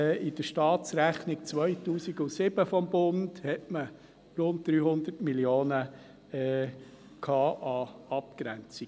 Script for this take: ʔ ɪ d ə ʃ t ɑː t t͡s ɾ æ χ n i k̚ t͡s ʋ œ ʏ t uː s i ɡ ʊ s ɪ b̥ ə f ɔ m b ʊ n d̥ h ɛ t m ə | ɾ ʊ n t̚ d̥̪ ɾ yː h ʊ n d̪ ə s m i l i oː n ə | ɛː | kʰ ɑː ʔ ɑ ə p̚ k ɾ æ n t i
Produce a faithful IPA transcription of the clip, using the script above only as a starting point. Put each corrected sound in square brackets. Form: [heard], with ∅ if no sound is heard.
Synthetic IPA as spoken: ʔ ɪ d ə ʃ t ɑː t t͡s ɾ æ χ n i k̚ t͡s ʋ œ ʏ t uː s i ɡ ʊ s ɪ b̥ ə f ɔ m b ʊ n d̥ h ɛ t m ə | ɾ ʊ n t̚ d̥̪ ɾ yː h ʊ n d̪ ə [t] m i l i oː n ə | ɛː | kʰ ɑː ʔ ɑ [ɑ] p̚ k ɾ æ n [t͡s] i